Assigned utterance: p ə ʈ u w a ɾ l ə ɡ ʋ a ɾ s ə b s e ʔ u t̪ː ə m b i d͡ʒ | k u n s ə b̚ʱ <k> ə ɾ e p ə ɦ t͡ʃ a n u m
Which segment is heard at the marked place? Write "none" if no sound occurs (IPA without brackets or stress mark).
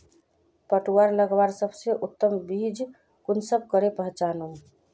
k